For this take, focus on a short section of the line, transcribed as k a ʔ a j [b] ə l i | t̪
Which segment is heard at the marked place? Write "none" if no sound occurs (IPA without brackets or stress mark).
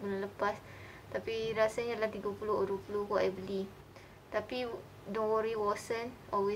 b